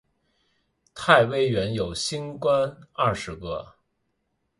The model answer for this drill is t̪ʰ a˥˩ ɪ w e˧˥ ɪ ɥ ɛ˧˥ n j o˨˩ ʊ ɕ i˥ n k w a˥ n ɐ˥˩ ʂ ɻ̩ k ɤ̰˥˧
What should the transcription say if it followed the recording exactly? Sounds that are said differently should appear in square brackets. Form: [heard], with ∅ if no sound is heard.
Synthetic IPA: t̪ʰ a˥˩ ɪ w [e˥] ɪ ɥ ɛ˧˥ n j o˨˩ ʊ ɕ i˥ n k w a˥ n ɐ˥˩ ʂ ɻ̩ k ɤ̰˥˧